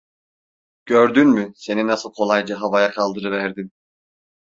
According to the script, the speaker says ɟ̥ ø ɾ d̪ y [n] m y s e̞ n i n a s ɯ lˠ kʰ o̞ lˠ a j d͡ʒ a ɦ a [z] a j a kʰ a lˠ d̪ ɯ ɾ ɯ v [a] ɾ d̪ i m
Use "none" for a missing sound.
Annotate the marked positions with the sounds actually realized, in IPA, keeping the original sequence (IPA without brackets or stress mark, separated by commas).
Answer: n, v, æ